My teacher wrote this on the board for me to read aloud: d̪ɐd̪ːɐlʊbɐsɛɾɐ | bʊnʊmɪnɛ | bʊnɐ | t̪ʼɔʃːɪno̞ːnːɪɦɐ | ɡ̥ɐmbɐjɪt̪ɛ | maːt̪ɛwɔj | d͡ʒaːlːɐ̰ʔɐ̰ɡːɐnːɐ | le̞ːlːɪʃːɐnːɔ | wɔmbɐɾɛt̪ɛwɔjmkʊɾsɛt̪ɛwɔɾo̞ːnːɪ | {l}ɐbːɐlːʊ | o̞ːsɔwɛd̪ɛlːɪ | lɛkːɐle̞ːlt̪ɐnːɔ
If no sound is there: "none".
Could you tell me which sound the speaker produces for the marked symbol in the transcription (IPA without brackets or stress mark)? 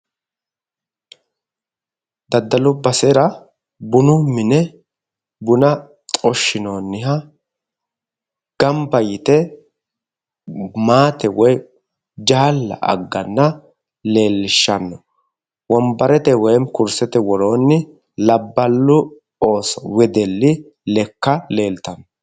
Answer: l